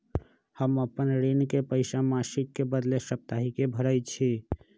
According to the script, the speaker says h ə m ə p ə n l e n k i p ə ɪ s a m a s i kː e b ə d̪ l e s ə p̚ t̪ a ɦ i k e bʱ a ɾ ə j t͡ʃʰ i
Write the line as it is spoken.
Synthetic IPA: h ə m ə p ə n ɾ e n k e p ə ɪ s a m a s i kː e b ə d̪ l e s ə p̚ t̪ a ɦ i k e bʱ ə ɾ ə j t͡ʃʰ i